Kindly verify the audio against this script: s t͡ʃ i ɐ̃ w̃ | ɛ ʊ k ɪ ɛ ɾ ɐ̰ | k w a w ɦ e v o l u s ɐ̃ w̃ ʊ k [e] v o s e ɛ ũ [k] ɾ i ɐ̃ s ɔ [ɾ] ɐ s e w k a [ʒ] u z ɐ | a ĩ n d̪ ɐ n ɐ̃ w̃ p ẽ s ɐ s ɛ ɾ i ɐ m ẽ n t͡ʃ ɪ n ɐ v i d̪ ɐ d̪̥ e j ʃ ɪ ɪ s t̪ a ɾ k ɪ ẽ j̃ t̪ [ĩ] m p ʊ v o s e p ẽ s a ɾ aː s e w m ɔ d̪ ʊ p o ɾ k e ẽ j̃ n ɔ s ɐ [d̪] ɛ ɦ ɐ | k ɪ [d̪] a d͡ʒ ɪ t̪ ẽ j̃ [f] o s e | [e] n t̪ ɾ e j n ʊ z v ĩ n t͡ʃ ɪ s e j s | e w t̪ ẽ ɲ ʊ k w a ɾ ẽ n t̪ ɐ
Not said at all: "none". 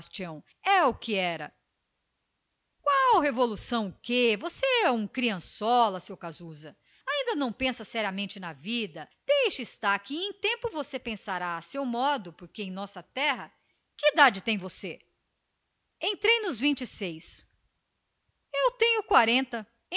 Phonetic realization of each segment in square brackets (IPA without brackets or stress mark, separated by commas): e, k, l, z, ẽ, t̪, d̪, v, ẽ